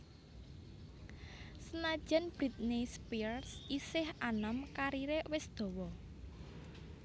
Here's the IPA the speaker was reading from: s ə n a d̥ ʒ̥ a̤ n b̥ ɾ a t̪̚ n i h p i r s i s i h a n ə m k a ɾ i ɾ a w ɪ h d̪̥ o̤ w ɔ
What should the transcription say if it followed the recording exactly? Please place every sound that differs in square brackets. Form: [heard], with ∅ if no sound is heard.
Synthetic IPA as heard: s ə n a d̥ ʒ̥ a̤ n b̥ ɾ [i] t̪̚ n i [s] p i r s i s [ɪ] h a n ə m k a ɾ i ɾ [e] w ɪ [s] d̪̥ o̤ w ɔ